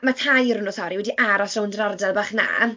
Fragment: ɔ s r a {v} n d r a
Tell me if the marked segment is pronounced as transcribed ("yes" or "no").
no